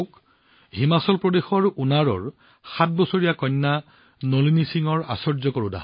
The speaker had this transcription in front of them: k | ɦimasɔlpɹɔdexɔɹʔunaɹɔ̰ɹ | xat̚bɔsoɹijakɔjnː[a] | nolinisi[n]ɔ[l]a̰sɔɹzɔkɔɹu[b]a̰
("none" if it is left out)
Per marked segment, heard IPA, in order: a, ŋ, ɹ, d

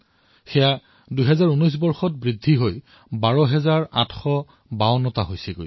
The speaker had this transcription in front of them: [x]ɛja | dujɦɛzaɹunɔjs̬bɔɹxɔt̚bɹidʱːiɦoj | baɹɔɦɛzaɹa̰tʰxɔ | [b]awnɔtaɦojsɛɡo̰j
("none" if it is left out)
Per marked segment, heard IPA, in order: x, b

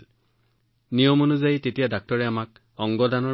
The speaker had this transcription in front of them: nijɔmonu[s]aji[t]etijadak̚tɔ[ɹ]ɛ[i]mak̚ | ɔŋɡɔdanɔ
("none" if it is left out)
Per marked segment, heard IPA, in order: z, t, ɹ, a

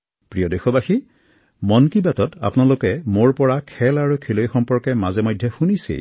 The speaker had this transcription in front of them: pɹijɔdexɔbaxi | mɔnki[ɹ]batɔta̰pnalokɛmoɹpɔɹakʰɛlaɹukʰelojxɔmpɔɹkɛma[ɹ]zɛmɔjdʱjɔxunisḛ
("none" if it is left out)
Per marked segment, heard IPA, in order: none, none

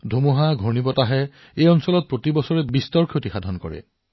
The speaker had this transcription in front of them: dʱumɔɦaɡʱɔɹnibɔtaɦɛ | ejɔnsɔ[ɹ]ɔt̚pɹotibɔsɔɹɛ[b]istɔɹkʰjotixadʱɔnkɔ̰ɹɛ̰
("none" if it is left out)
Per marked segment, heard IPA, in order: l, b

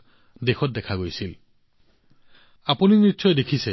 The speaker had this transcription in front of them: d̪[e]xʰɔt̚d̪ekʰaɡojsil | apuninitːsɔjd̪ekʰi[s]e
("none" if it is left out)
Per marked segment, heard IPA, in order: e, s

